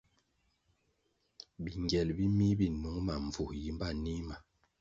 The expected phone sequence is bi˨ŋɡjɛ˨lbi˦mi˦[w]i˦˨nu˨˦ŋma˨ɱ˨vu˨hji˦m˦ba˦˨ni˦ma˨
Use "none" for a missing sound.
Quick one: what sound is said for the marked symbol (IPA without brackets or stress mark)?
b